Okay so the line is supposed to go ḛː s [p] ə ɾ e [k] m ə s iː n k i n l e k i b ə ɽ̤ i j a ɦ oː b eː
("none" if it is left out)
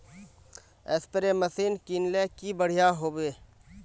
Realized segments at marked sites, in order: p, none

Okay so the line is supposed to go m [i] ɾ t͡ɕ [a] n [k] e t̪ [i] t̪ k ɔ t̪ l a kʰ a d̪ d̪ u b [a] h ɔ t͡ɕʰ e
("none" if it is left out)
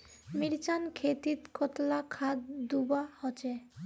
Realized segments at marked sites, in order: i, a, kʰ, i, a

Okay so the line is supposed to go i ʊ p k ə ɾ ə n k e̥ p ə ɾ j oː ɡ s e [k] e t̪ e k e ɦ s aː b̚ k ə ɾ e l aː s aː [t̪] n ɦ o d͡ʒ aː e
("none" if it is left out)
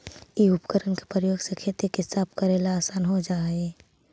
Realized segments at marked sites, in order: kʰ, none

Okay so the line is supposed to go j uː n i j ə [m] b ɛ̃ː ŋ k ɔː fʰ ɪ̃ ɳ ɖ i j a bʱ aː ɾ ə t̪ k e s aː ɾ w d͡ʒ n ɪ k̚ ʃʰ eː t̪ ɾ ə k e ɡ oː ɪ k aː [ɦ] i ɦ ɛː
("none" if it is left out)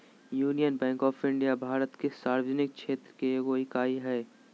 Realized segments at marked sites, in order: n, none

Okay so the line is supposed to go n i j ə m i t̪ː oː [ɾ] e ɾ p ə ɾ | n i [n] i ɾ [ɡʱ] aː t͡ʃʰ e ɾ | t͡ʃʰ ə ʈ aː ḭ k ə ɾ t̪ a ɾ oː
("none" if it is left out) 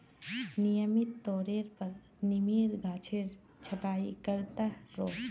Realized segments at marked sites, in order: ɾ, m, ɡʱ

